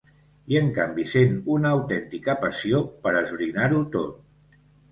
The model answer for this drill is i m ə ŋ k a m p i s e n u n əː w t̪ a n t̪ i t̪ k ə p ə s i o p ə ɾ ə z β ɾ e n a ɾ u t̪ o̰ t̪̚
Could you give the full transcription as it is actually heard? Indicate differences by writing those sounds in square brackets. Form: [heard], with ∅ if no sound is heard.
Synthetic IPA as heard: i [∅] ə ŋ k a m [b] i s e n u n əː w t̪ [ɛ] n t̪ i [∅] k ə p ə s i o p ə ɾ ə z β ɾ [i] n a ɾ u t̪ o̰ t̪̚

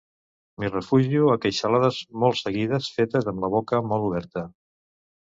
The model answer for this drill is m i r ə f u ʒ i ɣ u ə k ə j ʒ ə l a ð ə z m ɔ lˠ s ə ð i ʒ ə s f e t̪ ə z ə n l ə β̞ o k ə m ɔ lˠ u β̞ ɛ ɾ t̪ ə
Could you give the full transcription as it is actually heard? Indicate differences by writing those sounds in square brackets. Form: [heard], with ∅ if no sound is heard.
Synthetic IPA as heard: m i r ə f u ʒ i [∅] u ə k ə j [ʃ] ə l a ð ə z m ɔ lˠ s ə [ɣ] i [ð] ə s f e t̪ ə z ə [m] l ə β̞ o k ə m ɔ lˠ u β̞ ɛ ɾ t̪ ə

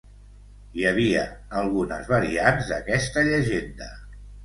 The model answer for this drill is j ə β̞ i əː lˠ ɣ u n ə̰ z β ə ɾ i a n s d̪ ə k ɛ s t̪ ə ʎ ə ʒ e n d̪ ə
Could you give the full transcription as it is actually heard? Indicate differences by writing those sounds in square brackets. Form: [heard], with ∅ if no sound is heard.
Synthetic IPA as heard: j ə β̞ i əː lˠ ɣ u n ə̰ z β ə ɾ i a n [z] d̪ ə k ɛ s t̪ ə ʎ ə ʒ e n d̪ ə

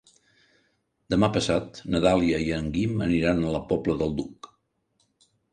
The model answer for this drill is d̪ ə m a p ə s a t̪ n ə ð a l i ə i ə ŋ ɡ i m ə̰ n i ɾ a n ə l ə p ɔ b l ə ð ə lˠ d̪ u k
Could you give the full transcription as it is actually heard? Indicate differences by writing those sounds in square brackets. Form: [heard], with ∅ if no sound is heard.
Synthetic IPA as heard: d̪ ə m a p ə s a t̪ n ə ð a l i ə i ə ŋ ɡ i m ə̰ n i ɾ a n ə l ə p ɔ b l ə ð ə lˠ d̪ u k

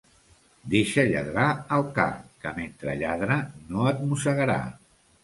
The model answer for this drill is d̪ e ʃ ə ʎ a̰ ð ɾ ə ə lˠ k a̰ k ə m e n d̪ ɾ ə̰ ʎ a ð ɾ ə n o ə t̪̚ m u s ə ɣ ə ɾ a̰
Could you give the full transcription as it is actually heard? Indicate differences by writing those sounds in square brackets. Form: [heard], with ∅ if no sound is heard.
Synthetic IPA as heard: d̪ e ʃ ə ʎ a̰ ð ɾ [a] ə lˠ k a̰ k ə m e n [t̪] ɾ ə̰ ʎ a ð ɾ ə n o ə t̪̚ m u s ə ɣ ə ɾ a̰

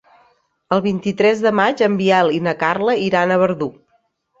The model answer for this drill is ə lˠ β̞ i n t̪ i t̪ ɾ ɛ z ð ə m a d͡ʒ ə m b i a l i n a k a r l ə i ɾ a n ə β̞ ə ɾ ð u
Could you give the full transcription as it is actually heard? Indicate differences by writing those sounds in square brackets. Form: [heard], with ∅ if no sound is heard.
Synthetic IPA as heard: ə lˠ β̞ i n t̪ i t̪ ɾ ɛ z ð ə m a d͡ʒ ə m b i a l i n [ə] k a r l ə i ɾ a n ə β̞ ə ɾ ð u

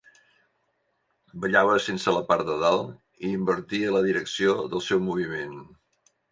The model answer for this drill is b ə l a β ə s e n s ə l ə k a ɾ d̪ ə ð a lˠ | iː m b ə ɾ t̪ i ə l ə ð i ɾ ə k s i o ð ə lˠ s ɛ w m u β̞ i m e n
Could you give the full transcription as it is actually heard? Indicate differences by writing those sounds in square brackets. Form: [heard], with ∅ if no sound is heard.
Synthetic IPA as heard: b ə [ʎ] a β ə s e n s ə l ə [p] a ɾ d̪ ə ð a lˠ | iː m b ə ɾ t̪ i ə l ə ð i ɾ ə k s i o ð ə lˠ s ɛ w m u β̞ i m e n

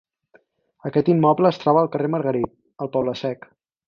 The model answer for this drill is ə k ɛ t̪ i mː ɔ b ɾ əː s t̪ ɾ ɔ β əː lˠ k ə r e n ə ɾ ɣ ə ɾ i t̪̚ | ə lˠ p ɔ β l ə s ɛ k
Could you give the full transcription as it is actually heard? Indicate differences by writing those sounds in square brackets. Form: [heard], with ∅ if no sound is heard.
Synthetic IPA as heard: ə k ɛ t̪ i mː ɔ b [l] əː s t̪ ɾ ɔ β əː lˠ k ə r e [m] ə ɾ ɣ ə ɾ i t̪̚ | ə lˠ p ɔ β l ə s ɛ k

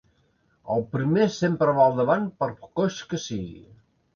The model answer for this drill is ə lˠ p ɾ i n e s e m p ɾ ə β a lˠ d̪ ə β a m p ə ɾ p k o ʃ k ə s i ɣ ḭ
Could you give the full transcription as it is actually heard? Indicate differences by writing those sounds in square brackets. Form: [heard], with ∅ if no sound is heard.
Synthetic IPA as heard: ə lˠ p ɾ i [m] e s e m p ɾ ə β a lˠ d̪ ə β a [n] p ə ɾ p k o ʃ k ə s i ɣ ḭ

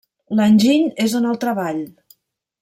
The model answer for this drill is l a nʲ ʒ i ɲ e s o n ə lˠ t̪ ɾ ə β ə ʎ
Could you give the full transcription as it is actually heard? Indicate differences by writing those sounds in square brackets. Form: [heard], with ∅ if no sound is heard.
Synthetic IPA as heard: l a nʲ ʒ i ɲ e [z] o n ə lˠ t̪ ɾ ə β [a] ʎ

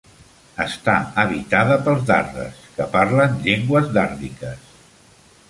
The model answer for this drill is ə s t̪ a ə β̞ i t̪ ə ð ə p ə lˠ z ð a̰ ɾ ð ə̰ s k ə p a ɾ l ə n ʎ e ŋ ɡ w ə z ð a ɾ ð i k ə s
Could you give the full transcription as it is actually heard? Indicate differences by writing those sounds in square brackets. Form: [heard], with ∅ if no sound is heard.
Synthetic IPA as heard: ə s t̪ a ə β̞ i t̪ [a] ð ə p ə lˠ z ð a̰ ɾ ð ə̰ s k ə p a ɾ l ə n ʎ e ŋ ɡ w ə z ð a ɾ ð i k ə s

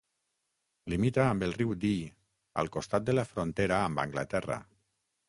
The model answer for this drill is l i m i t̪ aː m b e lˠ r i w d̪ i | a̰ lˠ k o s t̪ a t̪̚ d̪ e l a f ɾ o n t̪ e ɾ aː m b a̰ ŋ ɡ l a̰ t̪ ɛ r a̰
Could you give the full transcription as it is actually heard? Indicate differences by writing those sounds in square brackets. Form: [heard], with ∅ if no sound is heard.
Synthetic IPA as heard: l i m i t̪ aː m b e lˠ r i w d̪ i | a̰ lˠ k o s t̪ a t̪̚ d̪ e l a f ɾ o n t̪ e ɾ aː m b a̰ ŋ ɡ l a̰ t̪ ɛ r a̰

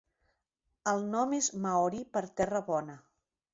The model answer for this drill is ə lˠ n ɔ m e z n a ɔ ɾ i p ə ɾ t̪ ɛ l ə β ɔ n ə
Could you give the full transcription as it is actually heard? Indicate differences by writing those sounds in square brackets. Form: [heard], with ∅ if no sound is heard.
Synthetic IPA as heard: ə lˠ n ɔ m e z [m] a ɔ ɾ i p ə ɾ t̪ ɛ [r] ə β ɔ n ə

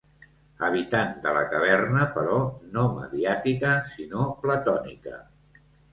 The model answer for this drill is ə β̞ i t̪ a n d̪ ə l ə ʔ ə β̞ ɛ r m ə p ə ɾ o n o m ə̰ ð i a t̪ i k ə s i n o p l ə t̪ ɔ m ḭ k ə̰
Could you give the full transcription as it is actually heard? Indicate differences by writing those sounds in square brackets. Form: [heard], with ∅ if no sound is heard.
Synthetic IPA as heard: ə β̞ i t̪ a n d̪ ə l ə [k] ə β̞ ɛ r [n] ə p ə ɾ [ɔ] n o m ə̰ ð i a t̪ i k ə s i n o p l ə t̪ ɔ [n] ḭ k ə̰

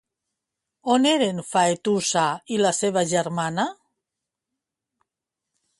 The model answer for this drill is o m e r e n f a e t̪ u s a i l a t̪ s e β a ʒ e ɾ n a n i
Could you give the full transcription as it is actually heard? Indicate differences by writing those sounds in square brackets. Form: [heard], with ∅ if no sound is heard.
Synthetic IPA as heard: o [n] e [ɾ] e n f a e t̪ u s a i l a [∅] s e β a ʒ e ɾ [m] a n [a]

